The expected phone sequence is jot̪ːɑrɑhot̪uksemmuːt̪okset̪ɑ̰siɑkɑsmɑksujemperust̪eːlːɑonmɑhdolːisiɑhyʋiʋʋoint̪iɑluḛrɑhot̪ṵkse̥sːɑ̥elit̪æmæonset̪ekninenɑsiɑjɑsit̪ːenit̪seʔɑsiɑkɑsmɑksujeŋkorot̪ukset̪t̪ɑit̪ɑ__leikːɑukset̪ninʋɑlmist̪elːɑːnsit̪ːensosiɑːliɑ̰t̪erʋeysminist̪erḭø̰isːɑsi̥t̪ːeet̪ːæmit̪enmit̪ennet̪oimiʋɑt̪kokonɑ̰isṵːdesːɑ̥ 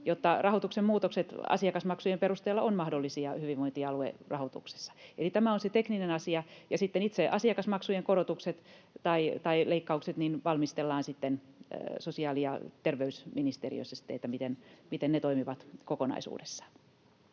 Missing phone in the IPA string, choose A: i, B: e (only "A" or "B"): A